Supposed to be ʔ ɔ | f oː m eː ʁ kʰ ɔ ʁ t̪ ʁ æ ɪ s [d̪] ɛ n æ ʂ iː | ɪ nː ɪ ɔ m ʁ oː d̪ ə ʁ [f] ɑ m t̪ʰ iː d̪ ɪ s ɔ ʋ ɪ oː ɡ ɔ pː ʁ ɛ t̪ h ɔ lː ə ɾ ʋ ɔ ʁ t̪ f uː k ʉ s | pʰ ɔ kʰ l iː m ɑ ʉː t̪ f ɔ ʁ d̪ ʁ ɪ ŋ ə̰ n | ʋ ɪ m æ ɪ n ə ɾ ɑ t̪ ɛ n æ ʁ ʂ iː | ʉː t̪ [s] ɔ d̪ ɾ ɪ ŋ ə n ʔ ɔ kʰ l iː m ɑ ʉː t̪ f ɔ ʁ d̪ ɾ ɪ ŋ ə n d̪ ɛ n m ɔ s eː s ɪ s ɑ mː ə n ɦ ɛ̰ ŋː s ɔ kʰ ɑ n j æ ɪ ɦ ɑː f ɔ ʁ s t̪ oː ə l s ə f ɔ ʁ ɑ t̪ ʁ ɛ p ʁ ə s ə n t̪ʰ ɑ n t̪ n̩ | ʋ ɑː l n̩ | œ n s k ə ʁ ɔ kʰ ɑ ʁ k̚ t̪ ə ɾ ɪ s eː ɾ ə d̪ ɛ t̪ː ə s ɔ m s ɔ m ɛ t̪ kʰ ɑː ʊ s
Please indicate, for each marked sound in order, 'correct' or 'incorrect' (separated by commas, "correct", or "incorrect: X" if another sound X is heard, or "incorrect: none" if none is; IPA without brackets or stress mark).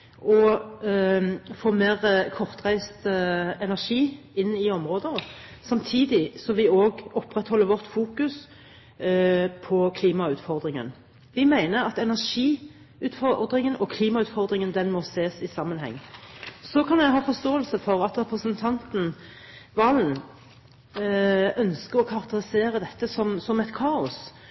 incorrect: t̪, incorrect: s, incorrect: f